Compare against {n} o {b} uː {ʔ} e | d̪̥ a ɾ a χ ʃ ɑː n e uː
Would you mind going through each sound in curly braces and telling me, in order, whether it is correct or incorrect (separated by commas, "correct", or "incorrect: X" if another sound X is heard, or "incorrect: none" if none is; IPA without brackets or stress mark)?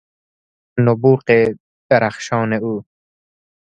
correct, correct, incorrect: q